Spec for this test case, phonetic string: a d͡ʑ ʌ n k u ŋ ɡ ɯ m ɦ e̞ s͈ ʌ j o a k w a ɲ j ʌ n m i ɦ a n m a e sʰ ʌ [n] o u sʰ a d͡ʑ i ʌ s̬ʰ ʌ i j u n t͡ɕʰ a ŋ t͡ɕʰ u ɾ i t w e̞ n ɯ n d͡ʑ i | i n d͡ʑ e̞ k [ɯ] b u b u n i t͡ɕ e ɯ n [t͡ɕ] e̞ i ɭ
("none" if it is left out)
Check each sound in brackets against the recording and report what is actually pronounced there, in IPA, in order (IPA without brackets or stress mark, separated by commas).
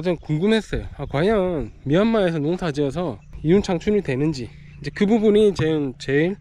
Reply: n, ɯ, t͡ɕ